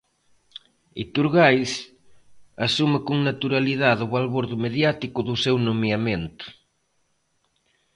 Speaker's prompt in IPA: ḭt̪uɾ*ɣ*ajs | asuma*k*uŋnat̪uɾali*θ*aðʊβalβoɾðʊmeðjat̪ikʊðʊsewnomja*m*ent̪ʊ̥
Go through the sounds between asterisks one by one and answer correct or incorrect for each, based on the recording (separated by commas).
correct, correct, incorrect, correct